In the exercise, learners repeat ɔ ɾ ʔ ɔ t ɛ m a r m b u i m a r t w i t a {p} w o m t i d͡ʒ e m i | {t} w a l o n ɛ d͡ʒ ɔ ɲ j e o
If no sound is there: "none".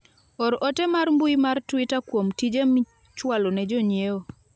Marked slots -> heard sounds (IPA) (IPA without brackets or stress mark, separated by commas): k, t͡ʃ